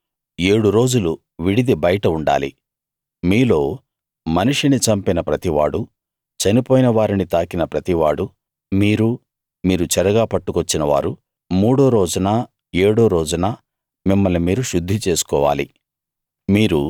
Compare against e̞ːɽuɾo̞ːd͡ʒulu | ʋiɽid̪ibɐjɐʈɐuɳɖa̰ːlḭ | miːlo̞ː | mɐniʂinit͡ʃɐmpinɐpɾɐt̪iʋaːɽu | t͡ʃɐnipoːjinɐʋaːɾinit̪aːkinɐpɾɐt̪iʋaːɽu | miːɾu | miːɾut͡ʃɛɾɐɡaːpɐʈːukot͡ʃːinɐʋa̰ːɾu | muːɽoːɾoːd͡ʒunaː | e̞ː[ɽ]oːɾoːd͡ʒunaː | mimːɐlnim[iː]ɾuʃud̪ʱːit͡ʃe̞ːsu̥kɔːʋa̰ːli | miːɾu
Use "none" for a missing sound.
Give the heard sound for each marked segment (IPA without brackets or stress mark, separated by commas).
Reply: ɽ, iː